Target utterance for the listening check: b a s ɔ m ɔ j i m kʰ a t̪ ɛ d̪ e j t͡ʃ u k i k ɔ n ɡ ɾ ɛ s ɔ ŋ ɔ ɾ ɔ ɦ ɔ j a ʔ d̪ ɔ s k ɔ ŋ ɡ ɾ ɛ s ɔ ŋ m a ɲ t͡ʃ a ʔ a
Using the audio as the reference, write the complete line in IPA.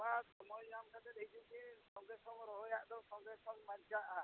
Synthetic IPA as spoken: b a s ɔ m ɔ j a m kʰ a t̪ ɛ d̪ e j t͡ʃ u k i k ɔ ŋ ɡ ɾ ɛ s ɔ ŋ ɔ ɾ ɔ ɦ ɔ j a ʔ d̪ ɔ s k ɔ ŋ ɡ ɾ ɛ s ɔ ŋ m a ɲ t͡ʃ a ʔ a